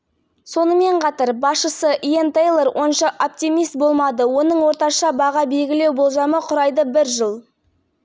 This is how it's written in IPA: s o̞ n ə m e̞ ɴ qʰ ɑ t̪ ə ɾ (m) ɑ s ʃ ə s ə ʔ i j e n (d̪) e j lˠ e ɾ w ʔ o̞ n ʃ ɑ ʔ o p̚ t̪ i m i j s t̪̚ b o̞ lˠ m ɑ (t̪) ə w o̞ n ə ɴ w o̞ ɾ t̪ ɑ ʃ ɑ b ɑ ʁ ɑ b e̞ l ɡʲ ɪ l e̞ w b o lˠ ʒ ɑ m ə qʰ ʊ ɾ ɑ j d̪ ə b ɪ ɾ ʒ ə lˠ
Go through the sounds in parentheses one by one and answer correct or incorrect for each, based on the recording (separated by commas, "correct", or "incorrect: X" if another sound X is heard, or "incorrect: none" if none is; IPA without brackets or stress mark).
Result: incorrect: b, incorrect: t̪, incorrect: d̪